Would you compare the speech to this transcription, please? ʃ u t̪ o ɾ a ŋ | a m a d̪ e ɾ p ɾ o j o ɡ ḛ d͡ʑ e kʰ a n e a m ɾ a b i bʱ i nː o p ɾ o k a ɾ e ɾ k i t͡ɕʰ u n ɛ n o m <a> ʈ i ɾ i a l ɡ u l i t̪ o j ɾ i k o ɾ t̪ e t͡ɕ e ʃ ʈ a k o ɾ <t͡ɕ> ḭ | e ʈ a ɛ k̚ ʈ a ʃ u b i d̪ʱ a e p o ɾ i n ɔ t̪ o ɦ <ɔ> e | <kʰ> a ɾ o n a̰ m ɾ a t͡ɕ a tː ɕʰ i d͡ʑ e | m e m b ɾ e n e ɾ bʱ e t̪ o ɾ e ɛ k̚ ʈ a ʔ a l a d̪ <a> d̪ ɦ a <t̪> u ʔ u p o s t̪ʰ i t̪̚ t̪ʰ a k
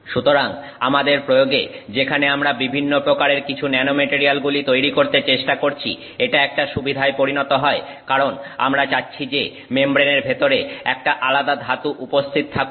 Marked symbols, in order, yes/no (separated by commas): no, no, yes, no, yes, yes